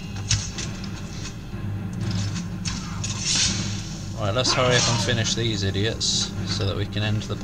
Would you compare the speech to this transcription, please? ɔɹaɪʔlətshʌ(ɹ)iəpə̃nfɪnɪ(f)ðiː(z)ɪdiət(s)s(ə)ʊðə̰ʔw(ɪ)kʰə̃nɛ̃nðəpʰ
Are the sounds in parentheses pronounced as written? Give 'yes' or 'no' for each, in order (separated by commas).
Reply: yes, no, yes, yes, yes, no